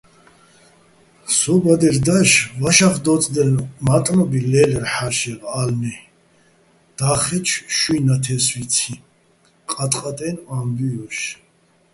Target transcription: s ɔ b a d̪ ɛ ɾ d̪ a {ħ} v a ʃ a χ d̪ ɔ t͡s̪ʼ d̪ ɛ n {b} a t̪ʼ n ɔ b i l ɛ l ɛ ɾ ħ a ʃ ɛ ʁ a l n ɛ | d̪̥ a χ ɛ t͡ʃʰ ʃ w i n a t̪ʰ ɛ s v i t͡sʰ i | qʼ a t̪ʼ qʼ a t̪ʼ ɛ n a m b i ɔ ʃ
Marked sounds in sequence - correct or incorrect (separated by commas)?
incorrect, incorrect